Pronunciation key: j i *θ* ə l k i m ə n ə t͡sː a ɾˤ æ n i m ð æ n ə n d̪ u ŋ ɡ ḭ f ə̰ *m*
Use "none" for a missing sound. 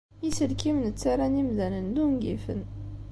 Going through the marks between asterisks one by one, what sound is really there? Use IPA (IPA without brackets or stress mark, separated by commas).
s, n